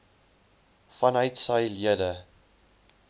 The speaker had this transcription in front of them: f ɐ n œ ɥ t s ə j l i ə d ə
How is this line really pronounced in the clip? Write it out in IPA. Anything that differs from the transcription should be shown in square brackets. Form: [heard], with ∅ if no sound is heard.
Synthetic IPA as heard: f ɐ n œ ɥ t s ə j l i ə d ə

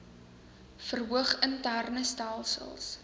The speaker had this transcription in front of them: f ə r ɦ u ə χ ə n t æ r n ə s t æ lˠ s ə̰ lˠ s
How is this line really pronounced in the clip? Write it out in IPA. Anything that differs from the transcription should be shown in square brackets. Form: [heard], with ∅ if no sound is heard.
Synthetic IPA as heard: f ə r ɦ u ə χ ə n t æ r n ə s t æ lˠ s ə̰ lˠ s

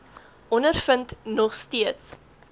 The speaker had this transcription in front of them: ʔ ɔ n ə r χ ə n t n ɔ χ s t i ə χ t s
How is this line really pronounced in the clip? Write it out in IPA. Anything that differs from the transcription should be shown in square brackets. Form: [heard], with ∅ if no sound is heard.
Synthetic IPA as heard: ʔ ɔ n ə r [f] ə n t n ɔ χ s t i ə [∅] t s

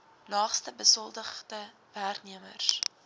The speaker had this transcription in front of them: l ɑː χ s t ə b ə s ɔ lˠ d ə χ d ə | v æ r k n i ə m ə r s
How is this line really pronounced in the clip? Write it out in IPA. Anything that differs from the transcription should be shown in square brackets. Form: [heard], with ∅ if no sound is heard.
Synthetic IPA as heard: l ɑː χ s t ə b ə s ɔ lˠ d ə χ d ə | v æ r k n i ə m ə r s

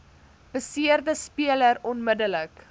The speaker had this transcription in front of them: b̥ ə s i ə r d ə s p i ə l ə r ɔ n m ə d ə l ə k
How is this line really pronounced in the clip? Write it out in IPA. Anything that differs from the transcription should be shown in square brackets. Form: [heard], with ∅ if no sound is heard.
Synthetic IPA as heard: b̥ ə s i ə r d ə s p i ə l ə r ɔ n m ə d ə l ə k

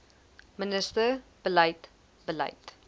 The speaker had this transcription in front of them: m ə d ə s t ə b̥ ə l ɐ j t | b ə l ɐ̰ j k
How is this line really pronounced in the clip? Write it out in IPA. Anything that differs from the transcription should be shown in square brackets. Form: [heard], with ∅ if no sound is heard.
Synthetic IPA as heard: m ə [n] ə s t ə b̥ ə l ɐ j t | b ə l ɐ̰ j [t]

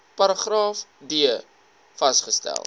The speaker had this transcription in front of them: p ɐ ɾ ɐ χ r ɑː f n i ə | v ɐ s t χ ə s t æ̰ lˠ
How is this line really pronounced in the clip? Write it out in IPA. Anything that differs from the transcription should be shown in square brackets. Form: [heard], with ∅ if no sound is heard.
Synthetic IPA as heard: p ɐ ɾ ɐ χ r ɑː f [d] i ə | [f] ɐ s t χ ə s t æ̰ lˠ

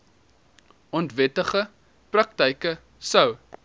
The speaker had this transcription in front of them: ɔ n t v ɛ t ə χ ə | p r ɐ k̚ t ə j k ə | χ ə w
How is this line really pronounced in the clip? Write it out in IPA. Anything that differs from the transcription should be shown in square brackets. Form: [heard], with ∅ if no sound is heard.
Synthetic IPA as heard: ɔ n t v ɛ t ə χ ə | p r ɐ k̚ t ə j k ə | [s] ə w

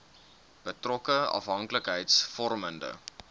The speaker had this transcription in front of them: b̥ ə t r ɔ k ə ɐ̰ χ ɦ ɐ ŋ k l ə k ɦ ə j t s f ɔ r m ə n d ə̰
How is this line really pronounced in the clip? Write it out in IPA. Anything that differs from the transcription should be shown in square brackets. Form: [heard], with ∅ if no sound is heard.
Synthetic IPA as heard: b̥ ə t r ɔ k ə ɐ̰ [f] ɦ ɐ ŋ k l ə k ɦ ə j t s f ɔ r m ə n d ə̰

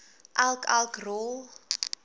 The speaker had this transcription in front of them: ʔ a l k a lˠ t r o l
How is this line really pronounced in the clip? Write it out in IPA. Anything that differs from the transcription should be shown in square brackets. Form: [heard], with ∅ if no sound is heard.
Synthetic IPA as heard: ʔ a l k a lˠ [k] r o l

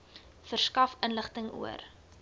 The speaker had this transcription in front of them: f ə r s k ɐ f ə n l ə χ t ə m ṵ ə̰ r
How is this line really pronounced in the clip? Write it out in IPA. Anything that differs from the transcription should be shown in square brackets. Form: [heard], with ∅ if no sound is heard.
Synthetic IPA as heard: f ə r s k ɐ f ə n l ə χ t ə [ŋ] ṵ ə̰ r

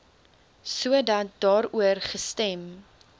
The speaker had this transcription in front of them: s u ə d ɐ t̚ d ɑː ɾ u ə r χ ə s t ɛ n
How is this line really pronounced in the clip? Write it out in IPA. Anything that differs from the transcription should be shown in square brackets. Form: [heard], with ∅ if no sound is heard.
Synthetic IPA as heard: s u ə d ɐ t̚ d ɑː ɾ u ə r χ ə s t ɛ [m]

